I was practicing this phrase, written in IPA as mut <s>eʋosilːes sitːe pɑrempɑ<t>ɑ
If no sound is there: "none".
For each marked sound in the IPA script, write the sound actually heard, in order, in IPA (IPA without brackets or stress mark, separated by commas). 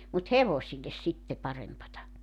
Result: h, t